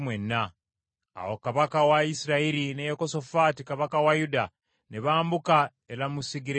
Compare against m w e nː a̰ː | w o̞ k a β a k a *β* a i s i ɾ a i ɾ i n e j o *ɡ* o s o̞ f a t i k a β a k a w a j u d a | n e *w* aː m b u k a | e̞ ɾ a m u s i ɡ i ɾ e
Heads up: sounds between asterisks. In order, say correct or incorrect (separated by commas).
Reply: incorrect, incorrect, incorrect